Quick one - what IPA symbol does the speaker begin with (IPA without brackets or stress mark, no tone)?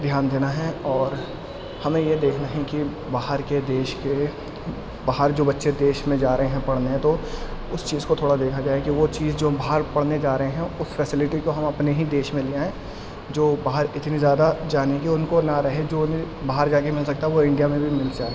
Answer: d̪ʱ